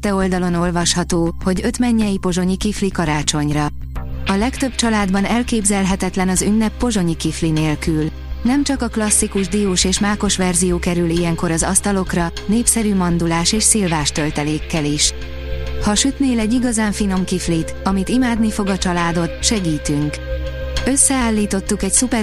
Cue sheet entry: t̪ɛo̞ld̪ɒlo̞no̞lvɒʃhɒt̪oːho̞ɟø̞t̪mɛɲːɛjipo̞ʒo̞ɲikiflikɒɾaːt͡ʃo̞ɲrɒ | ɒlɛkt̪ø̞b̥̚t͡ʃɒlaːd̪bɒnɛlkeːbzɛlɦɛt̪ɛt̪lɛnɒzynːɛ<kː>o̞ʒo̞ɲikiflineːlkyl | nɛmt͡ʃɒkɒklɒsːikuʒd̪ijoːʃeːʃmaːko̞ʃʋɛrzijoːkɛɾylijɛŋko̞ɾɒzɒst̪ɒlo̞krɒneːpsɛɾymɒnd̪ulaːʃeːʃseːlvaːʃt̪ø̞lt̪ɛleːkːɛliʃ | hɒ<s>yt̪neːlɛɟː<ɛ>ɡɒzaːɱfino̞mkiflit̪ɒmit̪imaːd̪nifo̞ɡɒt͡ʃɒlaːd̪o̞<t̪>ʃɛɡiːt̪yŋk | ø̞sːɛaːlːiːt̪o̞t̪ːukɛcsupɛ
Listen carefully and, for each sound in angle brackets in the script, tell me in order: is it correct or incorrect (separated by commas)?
incorrect, incorrect, incorrect, correct